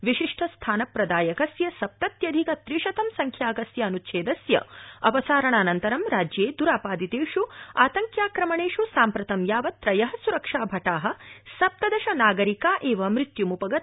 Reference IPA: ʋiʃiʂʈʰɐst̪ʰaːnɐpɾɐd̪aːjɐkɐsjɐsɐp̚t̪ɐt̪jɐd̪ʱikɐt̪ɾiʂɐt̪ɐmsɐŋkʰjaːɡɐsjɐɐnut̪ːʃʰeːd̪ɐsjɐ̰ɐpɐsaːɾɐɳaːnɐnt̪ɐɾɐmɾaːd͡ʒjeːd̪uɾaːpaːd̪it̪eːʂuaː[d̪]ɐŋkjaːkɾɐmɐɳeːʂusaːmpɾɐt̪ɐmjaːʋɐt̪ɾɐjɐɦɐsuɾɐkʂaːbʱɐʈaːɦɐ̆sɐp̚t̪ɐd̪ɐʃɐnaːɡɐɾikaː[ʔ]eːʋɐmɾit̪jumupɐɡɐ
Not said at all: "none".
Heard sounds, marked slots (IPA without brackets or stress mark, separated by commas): t̪, ʔ